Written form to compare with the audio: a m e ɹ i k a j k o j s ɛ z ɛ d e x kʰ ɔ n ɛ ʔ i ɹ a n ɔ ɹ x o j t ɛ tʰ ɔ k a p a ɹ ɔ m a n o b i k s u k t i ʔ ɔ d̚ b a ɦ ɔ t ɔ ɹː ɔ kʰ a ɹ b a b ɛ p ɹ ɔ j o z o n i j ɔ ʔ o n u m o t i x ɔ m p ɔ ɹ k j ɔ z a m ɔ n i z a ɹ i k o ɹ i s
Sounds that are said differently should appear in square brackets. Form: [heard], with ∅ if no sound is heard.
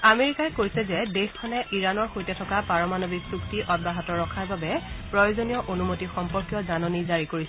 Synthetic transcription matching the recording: a m e ɹ i k a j k o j s ɛ z ɛ d e x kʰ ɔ n ɛ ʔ i ɹ a n ɔ ɹ x o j t ɛ tʰ ɔ k a p a ɹ ɔ m a n o b i k s u k t i ʔ ɔ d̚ b a ɦ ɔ t ɔ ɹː ɔ kʰ a ɹ b a b ɛ p ɹ ɔ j o z o n i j ɔ ʔ o n u m o t i x ɔ m p ɔ ɹ k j ɔ z a [n] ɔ n i z a ɹ i k o ɹ i s